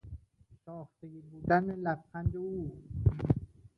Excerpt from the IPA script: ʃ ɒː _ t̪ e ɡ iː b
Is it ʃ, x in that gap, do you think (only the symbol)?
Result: x